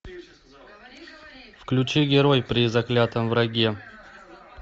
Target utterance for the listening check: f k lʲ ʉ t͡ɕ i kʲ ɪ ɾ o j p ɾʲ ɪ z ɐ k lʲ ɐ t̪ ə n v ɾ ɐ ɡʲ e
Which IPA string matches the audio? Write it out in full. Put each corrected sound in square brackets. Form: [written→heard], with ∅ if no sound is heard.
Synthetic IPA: f k lʲ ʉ t͡ɕ i [kʲ→ɡʲ] ɪ ɾ o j p ɾʲ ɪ z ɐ k lʲ [ɐ→a] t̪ ə [n→m] v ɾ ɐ ɡʲ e

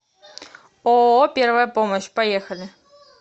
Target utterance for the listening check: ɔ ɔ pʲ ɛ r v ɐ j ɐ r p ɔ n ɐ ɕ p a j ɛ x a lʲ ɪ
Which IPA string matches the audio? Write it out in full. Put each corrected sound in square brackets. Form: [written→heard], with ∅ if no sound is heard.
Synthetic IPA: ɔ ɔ pʲ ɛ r v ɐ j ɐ [r→∅] p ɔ [n→m] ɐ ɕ p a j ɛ x [a→ɐ] lʲ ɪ

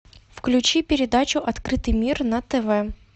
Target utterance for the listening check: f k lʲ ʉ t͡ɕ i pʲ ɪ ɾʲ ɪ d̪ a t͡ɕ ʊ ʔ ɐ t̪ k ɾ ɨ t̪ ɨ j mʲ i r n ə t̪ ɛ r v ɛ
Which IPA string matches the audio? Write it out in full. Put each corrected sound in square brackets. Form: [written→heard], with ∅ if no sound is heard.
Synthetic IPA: f k lʲ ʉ t͡ɕ i pʲ ɪ ɾʲ ɪ d̪ a t͡ɕ ʊ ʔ ɐ t̪ k ɾ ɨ t̪ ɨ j mʲ i r n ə t̪ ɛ [r→∅] v ɛ

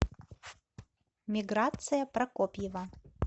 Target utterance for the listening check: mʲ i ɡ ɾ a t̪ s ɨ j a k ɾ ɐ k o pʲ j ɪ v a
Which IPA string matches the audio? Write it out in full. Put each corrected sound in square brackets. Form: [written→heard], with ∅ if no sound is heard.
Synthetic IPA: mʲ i ɡ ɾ a t̪ s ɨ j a [k→p] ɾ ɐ k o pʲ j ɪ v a

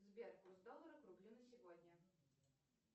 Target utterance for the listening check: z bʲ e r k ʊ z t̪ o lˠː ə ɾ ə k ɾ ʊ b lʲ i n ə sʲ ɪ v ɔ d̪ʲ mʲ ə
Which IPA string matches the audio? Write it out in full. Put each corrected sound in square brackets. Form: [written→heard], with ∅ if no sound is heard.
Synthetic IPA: z bʲ e r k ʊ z [t̪→d̪] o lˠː ə ɾ ə k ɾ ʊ b lʲ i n ə sʲ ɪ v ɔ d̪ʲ [mʲ→nʲ] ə

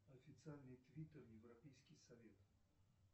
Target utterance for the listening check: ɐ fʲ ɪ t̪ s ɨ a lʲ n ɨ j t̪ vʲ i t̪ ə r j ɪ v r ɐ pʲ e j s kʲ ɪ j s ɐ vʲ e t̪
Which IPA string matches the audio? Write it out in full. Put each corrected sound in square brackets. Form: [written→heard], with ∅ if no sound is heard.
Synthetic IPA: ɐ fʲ ɪ t̪ s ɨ a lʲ n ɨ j t̪ vʲ i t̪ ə r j ɪ v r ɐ pʲ e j s kʲ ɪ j s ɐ vʲ e t̪

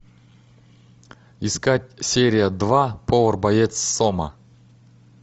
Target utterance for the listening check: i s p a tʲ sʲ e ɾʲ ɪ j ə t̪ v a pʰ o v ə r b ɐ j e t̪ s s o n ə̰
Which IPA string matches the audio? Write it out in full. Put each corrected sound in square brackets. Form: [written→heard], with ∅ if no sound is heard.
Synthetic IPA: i s [p→k] a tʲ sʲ e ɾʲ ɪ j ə [t̪→d̪] v a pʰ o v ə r b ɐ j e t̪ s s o [n→m] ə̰

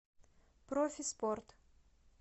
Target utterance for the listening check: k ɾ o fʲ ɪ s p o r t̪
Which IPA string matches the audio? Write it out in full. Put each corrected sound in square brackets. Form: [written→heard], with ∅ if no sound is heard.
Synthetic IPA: [k→p] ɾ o fʲ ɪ s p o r t̪

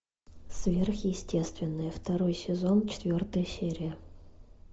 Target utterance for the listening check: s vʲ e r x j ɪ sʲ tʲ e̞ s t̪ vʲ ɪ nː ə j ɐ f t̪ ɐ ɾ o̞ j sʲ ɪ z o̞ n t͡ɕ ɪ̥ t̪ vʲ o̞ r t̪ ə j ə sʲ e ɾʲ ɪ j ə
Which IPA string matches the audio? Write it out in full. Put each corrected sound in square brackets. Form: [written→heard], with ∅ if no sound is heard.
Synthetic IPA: s vʲ e r x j ɪ sʲ tʲ e̞ s t̪ vʲ ɪ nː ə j [ɐ→ə] f t̪ ɐ ɾ o̞ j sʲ ɪ z o̞ n t͡ɕ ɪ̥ t̪ vʲ o̞ r t̪ ə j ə sʲ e ɾʲ ɪ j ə

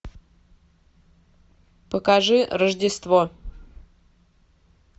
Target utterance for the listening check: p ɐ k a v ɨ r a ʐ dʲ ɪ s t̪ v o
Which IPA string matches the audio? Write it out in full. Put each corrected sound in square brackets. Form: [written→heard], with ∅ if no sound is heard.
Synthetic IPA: p [ɐ→ə] k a [v→ʐ] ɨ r [a→ə] ʐ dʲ ɪ s t̪ v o

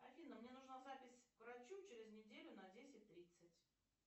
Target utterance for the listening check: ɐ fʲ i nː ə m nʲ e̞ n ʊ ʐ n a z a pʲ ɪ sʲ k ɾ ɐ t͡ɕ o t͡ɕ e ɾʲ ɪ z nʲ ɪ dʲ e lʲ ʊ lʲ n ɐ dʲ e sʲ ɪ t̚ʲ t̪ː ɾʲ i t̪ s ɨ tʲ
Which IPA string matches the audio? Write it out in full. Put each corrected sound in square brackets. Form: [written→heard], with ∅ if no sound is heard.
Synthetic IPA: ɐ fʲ i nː ə m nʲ e̞ n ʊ ʐ n a z a pʲ ɪ sʲ k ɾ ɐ t͡ɕ [o→u] t͡ɕ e ɾʲ ɪ z nʲ ɪ dʲ e lʲ ʊ [lʲ→∅] n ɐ dʲ e sʲ ɪ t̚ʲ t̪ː ɾʲ i t̪ s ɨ tʲ

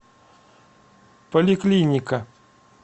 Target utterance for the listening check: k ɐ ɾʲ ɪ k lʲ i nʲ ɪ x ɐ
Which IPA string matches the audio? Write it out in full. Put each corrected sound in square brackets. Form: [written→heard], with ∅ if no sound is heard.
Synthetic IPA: [k→p] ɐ [ɾʲ→lʲ] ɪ k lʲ i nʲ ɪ [x→k] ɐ

